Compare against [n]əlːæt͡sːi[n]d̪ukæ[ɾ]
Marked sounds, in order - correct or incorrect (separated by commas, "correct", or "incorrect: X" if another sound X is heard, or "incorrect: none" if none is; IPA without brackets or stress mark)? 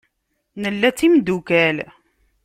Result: correct, incorrect: m, incorrect: l